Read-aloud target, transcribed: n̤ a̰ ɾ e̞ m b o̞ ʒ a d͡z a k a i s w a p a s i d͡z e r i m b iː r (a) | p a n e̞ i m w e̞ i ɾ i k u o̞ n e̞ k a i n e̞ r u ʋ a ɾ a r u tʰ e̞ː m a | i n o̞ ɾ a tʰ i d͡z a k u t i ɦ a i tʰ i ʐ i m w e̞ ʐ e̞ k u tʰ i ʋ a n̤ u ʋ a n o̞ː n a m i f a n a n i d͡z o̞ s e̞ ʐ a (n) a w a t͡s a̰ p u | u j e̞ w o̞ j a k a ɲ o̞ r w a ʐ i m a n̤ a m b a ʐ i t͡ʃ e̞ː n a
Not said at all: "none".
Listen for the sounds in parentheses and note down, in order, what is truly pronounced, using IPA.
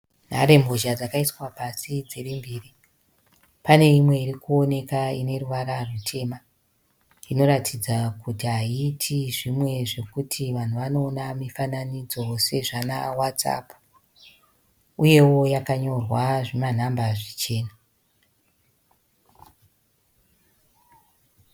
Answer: i, n

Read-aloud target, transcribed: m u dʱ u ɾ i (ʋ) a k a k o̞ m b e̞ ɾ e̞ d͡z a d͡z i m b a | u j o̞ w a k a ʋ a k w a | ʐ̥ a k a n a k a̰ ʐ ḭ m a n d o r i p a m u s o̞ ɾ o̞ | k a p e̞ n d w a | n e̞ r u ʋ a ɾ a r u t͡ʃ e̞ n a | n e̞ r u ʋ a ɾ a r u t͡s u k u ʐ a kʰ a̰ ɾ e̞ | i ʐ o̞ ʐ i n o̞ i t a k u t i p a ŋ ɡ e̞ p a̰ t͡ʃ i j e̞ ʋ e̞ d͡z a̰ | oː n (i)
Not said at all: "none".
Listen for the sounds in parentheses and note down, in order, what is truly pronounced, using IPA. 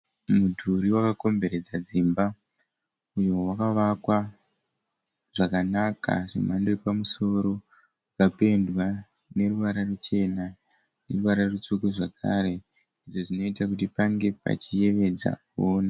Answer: w, a

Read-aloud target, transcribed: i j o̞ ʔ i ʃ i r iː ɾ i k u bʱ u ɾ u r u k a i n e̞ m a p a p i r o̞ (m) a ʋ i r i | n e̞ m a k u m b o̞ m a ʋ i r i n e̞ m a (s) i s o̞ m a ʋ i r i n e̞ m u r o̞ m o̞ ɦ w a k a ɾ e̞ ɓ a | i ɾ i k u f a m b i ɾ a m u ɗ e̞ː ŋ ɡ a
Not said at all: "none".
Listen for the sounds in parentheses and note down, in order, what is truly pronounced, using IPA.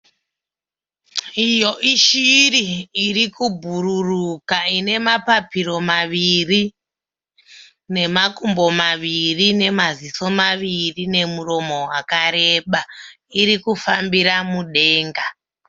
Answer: m, z

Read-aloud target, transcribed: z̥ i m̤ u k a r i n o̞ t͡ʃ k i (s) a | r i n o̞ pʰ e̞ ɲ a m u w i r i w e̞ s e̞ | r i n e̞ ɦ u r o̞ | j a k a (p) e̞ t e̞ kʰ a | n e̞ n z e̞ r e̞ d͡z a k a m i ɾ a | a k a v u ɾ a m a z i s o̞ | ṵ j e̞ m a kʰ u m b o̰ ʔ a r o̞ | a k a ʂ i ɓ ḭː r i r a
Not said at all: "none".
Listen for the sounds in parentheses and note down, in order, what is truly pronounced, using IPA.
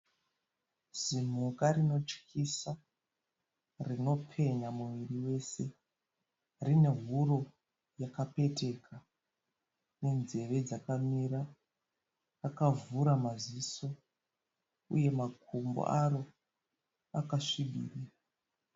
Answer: s, p

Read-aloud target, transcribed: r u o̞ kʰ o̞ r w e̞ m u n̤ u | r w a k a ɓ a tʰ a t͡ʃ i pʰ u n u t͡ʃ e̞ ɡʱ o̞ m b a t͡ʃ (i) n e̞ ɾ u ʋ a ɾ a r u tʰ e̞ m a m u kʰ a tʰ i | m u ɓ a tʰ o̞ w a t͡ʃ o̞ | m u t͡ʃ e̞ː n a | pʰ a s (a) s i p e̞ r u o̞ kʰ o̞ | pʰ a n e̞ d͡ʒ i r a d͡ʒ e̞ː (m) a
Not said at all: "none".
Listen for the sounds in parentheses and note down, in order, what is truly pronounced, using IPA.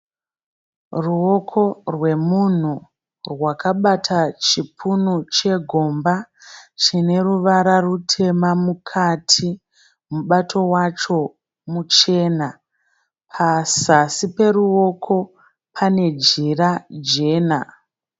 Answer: i, a, n

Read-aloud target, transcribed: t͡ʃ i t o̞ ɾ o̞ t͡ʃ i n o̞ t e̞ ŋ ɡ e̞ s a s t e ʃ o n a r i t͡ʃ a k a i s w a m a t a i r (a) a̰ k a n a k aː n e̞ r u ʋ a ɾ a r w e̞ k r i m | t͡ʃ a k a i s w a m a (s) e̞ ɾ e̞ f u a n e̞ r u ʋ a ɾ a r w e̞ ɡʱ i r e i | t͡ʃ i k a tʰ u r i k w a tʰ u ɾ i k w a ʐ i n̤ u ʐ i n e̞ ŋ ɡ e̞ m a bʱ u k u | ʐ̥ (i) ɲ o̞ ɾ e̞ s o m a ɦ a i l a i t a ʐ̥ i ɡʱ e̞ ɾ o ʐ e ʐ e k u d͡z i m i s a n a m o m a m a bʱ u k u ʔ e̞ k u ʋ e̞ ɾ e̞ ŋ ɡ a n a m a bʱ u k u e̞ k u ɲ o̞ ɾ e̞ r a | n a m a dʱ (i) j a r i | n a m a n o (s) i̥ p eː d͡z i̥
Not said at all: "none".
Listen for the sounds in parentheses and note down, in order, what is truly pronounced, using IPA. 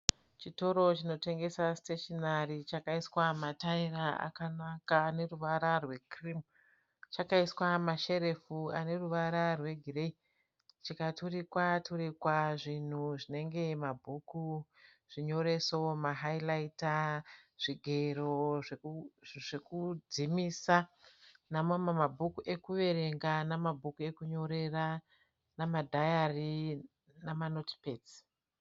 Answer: a, ʃ, i, a, t

